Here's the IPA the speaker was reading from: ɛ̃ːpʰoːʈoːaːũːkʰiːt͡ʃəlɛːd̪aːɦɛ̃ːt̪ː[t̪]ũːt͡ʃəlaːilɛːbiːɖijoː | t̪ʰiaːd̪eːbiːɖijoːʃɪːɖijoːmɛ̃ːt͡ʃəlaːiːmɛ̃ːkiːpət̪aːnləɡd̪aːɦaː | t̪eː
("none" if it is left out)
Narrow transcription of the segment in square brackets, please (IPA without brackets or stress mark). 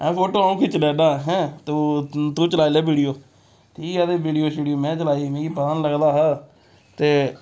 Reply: t̪